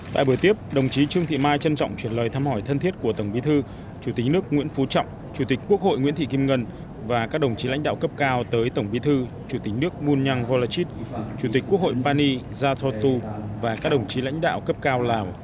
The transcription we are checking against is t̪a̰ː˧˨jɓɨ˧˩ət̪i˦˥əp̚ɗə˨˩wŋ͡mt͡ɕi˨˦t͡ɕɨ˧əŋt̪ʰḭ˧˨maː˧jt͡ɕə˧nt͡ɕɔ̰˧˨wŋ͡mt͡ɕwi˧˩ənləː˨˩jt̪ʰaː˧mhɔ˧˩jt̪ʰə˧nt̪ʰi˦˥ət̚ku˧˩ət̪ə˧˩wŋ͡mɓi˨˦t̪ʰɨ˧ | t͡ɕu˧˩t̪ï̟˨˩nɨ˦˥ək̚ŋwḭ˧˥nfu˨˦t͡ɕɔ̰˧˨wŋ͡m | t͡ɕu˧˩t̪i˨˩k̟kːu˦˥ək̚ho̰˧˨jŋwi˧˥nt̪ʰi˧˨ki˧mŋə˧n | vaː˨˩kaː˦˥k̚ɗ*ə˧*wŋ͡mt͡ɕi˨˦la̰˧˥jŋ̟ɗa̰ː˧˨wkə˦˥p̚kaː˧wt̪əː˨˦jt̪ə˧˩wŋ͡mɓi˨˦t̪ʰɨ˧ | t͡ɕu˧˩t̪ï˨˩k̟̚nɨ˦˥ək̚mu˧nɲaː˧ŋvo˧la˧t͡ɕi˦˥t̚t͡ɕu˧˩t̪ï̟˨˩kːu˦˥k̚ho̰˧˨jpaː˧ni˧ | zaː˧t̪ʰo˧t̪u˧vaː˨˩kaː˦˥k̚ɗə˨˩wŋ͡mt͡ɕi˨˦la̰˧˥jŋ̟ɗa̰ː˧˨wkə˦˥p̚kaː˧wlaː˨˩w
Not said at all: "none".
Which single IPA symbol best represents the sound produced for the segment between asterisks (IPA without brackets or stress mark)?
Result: ə˨˩